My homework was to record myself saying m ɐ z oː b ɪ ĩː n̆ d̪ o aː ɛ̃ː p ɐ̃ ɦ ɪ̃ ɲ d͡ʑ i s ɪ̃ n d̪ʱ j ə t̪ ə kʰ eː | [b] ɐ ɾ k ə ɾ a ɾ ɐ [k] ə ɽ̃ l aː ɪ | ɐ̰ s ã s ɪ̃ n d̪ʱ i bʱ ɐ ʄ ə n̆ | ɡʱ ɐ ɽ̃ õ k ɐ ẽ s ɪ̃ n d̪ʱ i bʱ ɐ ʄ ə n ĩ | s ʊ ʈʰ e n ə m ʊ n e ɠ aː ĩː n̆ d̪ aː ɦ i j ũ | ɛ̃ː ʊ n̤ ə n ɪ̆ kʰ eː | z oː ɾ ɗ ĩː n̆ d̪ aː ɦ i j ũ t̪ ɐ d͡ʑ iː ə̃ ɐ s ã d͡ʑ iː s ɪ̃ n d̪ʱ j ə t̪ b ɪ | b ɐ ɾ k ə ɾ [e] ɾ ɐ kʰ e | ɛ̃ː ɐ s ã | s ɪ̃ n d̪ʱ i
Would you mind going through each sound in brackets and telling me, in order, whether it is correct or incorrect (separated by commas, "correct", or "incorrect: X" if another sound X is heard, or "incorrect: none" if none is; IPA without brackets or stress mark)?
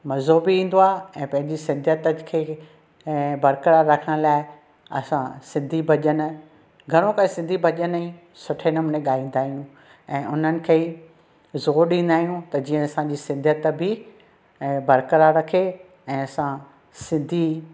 correct, incorrect: kʰ, incorrect: a